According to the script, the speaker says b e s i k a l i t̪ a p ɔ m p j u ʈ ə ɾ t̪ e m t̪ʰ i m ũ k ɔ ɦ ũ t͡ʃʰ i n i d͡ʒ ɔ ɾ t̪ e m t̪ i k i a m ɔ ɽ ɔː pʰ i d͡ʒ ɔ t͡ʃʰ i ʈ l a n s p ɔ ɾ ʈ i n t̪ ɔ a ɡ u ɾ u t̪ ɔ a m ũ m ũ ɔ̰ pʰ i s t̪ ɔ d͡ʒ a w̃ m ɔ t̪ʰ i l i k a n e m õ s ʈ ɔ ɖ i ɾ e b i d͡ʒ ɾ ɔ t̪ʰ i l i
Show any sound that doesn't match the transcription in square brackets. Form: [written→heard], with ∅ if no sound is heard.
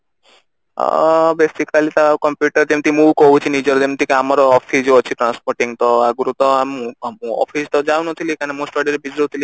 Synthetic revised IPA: b e s i k a l i t̪ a [p→k] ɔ m p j u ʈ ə ɾ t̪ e m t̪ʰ i m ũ k ɔ ɦ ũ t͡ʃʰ i n i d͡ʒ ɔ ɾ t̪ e m t̪ i k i a m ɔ [ɽ→ɾ] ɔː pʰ i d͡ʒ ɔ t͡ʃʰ i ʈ [l→ɾ] a n s p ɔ ɾ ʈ i [n→ŋ] t̪ ɔ a ɡ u ɾ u t̪ ɔ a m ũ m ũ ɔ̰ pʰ i s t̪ ɔ d͡ʒ a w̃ [m→n] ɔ t̪ʰ i l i k a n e m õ s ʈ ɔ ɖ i ɾ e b i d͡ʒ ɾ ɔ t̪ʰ i l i